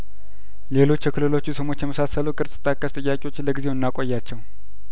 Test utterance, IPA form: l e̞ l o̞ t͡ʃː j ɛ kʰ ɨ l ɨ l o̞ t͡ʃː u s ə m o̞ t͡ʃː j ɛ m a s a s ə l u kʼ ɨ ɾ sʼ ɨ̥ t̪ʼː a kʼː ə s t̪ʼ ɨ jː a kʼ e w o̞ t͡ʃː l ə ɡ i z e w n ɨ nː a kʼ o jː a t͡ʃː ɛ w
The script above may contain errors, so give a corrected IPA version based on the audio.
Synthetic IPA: l e̞ l o̞ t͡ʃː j ɛ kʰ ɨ l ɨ l o̞ t͡ʃː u s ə m o̞ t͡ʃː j ɛ m ə s a s ə l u kʼ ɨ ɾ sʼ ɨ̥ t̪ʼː a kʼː ə s t̪ʼ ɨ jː a kʼ e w o̞ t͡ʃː l ə ɡ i z e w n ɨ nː a kʼ o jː a t͡ʃː ɛ w